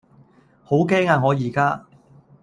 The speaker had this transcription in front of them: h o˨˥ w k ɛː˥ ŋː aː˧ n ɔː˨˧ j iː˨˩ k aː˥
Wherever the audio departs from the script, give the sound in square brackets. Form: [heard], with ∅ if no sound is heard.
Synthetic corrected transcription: h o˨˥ w k ɛː˥ [ŋ] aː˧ [ŋ] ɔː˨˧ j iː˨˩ k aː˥